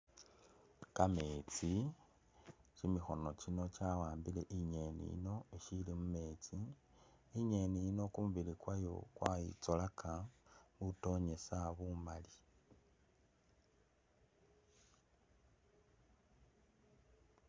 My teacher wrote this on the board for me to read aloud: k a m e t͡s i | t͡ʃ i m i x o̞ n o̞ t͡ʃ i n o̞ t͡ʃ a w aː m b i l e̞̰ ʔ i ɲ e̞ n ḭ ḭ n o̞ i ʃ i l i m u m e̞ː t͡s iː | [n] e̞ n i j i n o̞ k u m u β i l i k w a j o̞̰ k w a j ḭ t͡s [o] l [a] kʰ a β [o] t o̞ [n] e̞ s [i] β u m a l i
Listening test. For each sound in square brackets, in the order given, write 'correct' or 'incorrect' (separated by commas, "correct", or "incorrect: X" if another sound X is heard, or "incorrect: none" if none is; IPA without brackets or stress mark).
incorrect: ɲ, correct, correct, incorrect: u, incorrect: ɲ, incorrect: a